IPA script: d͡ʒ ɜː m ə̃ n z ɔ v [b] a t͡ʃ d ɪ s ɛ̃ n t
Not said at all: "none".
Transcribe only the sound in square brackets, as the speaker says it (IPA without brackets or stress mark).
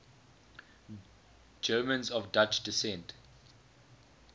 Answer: d